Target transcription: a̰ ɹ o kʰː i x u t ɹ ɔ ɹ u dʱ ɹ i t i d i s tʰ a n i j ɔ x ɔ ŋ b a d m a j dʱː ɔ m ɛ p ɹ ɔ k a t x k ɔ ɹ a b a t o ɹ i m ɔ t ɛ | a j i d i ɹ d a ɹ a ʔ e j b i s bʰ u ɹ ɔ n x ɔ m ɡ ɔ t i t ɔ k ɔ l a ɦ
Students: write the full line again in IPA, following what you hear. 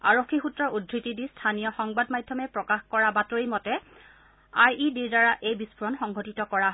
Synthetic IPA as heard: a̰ ɹ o kʰː i x u t ɹ ɔ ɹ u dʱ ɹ i t i d i s tʰ a n i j ɔ x ɔ ŋ b a d m a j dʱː ɔ m ɛ p ɹ ɔ k a x k ɔ ɹ a b a t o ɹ i m ɔ t ɛ | a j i d i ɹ d a ɹ a ʔ e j b i s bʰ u ɹ ɔ n x ɔ ŋ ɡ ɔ t i t ɔ k ɔ ɹ a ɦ